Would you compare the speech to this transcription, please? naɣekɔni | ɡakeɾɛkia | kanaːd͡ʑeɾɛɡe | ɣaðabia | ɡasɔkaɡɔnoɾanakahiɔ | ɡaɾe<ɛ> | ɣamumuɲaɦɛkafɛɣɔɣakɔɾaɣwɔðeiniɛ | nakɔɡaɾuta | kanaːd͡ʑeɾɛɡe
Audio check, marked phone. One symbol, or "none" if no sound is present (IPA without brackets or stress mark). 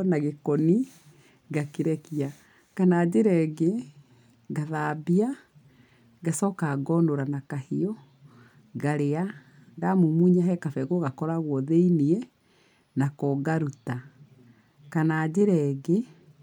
a